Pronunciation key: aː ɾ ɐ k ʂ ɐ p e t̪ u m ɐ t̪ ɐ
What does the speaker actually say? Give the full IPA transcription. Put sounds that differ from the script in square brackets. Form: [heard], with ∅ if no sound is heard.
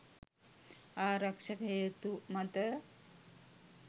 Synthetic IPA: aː ɾ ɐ k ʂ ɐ [k] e t̪ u m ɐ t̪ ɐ